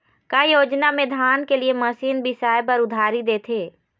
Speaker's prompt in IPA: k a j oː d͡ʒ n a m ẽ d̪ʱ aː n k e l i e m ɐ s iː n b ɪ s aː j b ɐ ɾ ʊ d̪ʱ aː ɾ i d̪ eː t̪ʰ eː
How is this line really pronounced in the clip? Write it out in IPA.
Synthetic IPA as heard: k a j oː d͡ʒ n a m ẽ d̪ʱ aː n k e l i e m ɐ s iː n b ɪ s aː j p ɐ ɾ ʊ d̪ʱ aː ɾ i d̪ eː t̪ʰ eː